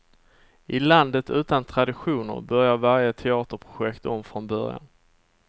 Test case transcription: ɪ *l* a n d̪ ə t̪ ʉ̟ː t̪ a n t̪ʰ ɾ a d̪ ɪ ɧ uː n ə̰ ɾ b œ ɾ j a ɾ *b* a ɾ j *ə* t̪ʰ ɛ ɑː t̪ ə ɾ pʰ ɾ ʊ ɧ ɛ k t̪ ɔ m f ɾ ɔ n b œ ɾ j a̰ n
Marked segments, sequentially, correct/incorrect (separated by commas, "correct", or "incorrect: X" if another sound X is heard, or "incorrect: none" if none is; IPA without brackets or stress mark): correct, incorrect: v, correct